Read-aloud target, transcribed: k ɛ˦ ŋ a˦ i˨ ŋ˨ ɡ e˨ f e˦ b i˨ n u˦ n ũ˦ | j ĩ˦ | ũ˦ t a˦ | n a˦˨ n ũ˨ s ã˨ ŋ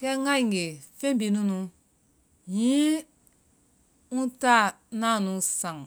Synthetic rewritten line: k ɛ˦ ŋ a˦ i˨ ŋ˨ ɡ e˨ f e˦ b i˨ n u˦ n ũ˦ | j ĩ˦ | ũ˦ t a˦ | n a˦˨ n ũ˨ s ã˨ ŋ